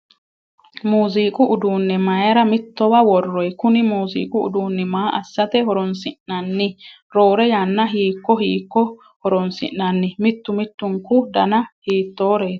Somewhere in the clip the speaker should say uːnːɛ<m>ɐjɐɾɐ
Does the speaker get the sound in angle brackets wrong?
no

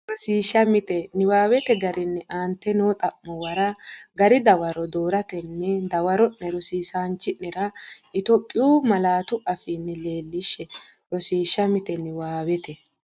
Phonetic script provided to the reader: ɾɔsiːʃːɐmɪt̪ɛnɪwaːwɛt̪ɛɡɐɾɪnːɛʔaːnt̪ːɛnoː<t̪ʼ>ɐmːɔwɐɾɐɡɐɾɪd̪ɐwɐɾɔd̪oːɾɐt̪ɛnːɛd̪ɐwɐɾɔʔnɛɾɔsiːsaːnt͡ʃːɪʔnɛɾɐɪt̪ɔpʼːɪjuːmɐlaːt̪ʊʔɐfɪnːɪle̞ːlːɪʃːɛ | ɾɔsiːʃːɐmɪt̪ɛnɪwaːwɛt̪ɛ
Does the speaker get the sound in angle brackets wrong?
no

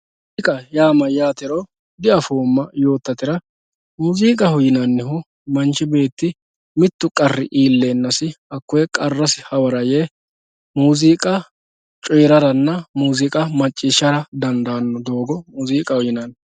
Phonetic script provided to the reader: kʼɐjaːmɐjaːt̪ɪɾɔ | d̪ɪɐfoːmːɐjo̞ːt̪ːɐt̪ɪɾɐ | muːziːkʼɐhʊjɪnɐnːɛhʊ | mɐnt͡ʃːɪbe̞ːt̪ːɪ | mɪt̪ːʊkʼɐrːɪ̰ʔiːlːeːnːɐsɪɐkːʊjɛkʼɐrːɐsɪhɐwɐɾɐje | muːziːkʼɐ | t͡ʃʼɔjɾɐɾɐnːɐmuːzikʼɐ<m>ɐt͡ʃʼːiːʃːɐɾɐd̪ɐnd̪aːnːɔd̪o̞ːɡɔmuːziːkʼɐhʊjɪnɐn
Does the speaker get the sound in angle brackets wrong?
no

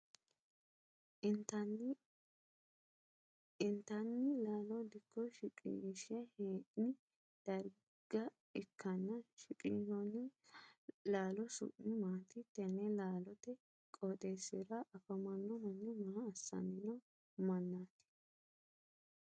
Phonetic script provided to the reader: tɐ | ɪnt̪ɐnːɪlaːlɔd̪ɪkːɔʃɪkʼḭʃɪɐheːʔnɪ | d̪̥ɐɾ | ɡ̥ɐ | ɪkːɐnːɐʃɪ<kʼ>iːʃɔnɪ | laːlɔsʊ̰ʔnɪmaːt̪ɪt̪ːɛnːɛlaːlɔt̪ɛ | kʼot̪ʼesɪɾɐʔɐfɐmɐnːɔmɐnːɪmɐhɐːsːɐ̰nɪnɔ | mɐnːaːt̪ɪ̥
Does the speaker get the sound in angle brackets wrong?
no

